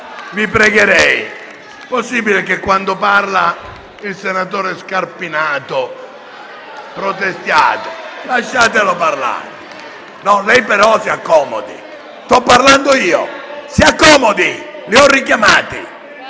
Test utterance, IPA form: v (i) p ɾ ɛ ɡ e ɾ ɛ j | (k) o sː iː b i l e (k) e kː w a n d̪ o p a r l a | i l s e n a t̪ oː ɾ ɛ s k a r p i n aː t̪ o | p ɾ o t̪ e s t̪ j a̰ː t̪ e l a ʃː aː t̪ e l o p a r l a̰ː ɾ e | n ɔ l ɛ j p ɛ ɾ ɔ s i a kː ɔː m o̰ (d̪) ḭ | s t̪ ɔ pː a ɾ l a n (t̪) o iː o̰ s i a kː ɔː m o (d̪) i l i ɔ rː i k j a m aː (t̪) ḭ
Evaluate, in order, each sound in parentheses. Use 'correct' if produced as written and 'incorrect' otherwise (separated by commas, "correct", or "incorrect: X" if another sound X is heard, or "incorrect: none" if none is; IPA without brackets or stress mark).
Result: correct, incorrect: p, correct, correct, incorrect: d̪, correct, correct